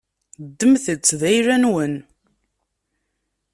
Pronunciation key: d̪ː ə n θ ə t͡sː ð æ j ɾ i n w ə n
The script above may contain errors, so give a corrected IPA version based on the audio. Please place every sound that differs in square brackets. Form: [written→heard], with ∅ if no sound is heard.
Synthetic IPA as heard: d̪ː ə [n→m] θ ə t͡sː ð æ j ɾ [i→æ] n w ə n